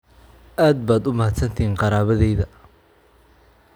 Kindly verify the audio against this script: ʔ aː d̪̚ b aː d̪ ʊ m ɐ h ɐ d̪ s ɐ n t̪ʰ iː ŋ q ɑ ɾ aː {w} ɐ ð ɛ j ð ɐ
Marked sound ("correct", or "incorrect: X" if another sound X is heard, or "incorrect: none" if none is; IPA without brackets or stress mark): incorrect: β